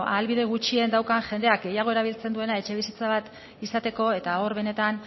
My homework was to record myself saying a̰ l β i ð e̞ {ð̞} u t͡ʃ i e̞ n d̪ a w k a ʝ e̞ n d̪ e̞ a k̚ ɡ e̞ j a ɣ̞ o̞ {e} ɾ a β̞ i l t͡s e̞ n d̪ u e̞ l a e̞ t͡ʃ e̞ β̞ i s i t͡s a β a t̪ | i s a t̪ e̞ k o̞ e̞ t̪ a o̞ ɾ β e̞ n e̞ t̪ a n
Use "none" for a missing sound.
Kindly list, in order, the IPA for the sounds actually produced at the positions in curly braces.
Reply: ɣ̞, e

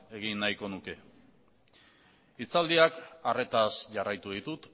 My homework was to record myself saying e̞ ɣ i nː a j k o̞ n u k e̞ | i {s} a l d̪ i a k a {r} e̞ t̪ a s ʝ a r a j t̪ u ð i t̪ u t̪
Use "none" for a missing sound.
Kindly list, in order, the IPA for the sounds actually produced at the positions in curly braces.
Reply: t͡s, r

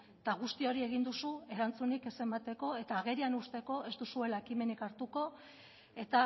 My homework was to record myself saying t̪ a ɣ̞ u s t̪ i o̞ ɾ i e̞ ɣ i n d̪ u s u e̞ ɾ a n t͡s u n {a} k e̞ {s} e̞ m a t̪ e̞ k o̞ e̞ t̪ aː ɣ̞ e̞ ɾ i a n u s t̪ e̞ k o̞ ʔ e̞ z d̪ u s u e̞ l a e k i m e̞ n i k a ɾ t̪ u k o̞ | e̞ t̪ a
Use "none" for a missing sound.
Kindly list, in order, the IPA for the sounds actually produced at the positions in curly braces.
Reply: i, s

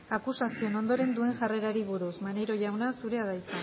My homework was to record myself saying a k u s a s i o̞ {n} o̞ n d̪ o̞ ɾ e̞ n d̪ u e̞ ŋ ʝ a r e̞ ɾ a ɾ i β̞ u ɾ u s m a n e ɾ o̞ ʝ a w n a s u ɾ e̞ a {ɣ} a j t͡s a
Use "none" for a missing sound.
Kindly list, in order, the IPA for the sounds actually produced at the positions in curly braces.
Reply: n, ð

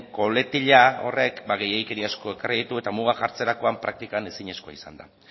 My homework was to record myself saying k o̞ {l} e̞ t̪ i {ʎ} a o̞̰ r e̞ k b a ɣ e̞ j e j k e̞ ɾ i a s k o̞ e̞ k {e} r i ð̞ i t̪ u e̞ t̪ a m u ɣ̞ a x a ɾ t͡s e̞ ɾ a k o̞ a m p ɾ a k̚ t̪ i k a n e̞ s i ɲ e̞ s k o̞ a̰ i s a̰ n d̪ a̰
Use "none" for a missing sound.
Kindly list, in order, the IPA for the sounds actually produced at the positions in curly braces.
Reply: l, ʎ, a

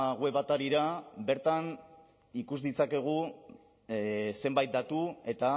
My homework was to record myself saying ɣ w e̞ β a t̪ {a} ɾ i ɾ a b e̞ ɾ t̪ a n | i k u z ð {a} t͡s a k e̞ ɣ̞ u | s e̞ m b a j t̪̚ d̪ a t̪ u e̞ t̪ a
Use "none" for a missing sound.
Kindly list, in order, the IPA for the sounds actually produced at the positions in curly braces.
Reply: a, i

